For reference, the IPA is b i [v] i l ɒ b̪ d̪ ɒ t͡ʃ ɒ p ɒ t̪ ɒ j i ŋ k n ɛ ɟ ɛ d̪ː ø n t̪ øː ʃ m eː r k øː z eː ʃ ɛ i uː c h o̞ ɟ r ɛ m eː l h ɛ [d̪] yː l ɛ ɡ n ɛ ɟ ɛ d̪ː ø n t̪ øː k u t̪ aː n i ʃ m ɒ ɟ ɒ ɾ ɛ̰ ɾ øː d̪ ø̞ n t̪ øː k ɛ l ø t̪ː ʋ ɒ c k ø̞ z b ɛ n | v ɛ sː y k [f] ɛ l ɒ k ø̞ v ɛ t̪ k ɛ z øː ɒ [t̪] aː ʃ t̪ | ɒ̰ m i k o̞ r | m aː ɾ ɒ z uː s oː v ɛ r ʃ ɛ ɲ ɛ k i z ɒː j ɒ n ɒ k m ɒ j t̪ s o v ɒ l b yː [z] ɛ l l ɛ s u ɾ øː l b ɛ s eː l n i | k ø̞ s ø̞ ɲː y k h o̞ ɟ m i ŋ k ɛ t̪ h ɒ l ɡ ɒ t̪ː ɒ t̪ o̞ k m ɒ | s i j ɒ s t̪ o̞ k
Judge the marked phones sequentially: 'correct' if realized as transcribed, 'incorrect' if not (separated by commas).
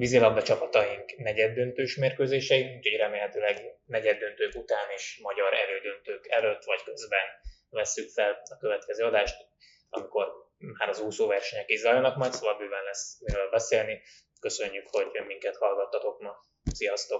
incorrect, incorrect, correct, incorrect, incorrect